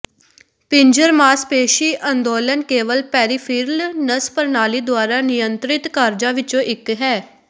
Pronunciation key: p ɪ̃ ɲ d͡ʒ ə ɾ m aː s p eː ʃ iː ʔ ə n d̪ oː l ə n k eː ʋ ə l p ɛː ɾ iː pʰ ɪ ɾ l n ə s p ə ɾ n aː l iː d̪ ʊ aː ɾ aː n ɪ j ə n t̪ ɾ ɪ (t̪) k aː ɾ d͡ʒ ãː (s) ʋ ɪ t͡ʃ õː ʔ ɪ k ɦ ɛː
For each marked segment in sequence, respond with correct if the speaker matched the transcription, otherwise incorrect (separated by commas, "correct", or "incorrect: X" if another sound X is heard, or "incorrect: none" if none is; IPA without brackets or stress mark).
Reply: correct, incorrect: none